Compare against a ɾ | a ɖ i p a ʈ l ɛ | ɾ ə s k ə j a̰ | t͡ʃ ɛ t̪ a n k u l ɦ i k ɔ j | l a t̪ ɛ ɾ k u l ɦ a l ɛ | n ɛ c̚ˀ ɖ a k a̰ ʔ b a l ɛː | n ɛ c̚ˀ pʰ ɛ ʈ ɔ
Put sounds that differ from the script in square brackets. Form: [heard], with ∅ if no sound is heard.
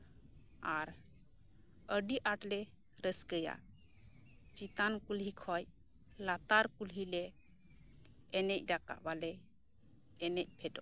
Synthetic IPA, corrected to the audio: a ɾ | [ə] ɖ i [ʔ] a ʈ l ɛ | ɾ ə s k ə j a̰ | t͡ʃ [i] t̪ a n k u l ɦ i [kʰ] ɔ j | l a t̪ [a] ɾ k u l ɦ [i] l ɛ | n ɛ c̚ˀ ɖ a k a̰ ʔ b a l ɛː | n ɛ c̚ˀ pʰ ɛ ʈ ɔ